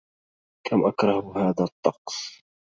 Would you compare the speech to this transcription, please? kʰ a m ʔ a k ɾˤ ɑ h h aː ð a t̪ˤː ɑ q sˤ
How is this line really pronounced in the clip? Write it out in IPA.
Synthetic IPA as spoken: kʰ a m ʔ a k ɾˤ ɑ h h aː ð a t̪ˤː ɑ q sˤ